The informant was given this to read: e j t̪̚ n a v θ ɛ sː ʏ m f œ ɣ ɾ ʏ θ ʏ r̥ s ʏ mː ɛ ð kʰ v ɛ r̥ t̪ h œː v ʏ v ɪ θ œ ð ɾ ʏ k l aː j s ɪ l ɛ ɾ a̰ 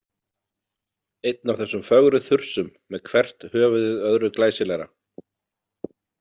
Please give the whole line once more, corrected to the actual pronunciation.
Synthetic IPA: e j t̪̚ n a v θ ɛ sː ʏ m f œ ɣ ɾ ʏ θ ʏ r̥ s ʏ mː ɛ ð kʰ v ɛ r̥ t̪ h œː v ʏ ð ɪ ð œ ð ɾ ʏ k l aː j s ɪ l ɛ ɾ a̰